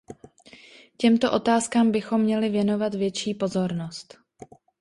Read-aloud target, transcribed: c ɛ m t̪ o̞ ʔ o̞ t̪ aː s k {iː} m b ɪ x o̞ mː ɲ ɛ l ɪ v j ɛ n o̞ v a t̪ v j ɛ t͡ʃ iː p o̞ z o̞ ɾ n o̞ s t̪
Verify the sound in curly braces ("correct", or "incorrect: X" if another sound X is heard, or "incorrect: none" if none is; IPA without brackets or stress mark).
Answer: incorrect: aː